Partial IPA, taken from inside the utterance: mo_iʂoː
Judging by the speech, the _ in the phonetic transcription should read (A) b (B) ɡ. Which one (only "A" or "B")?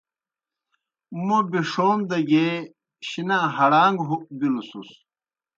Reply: A